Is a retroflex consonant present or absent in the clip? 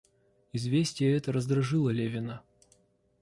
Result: present